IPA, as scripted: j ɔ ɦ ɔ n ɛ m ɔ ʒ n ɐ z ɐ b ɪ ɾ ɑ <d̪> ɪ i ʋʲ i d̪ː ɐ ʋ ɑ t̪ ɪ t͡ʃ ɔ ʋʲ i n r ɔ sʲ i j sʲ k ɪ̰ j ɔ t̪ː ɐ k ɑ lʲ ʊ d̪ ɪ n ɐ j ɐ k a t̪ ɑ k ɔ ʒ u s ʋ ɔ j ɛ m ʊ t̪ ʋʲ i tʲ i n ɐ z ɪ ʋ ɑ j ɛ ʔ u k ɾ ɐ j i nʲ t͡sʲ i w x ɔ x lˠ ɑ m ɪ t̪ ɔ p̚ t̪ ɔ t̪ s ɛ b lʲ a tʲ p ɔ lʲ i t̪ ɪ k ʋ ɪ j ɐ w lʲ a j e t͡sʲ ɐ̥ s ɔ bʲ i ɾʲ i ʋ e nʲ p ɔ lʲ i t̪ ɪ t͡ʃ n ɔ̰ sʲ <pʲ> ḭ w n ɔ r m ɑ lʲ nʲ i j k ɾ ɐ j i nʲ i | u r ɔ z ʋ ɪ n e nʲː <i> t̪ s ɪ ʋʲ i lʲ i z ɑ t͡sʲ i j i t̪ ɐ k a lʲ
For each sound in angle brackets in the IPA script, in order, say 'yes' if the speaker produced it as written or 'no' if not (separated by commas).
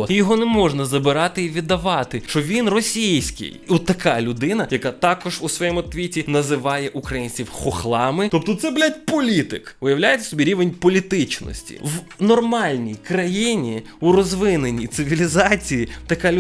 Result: no, no, yes